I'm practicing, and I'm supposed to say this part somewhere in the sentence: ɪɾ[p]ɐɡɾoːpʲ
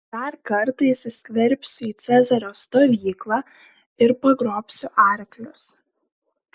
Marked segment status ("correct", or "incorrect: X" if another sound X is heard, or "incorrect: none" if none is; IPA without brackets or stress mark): correct